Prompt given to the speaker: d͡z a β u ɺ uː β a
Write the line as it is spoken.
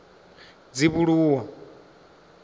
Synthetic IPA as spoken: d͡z i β u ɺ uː w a